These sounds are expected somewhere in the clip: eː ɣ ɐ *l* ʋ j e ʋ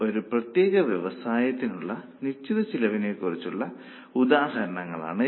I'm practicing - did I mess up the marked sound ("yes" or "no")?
yes